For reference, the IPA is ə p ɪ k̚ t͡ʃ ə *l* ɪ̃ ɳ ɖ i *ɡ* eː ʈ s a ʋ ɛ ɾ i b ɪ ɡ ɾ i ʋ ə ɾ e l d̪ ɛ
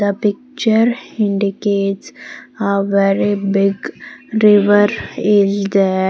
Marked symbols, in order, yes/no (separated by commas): no, no